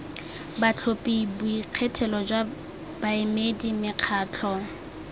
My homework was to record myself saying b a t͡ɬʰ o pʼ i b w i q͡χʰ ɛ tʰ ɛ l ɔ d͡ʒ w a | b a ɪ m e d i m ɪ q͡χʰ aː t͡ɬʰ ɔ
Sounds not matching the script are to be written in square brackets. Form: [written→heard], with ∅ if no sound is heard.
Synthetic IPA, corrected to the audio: b a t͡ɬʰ o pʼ i b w i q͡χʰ ɛ tʰ ɛ l ɔ d͡ʒ w a | b a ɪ m e d i m ɪ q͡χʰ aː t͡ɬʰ ɔ